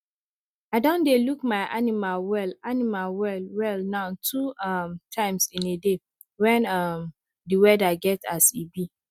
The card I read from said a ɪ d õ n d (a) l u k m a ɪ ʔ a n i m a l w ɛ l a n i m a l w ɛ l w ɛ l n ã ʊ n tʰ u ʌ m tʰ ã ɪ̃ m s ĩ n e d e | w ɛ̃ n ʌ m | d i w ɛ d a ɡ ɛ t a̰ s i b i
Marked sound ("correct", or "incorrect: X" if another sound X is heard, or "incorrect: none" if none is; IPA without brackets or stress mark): incorrect: e